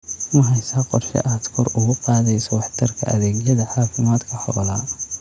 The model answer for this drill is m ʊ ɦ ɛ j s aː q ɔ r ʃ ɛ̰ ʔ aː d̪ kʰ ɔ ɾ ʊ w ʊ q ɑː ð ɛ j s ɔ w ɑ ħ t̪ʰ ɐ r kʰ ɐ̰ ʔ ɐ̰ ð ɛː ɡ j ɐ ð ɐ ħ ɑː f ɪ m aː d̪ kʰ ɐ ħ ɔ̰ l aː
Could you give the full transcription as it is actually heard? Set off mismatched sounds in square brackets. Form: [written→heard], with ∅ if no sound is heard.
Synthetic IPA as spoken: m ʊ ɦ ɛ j s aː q ɔ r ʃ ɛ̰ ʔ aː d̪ kʰ ɔ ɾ ʊ [w→ɣ] ʊ q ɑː ð ɛ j s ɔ w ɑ ħ t̪ʰ ɐ r kʰ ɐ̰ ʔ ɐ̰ ð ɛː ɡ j ɐ ð ɐ ħ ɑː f ɪ m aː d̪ kʰ ɐ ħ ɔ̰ l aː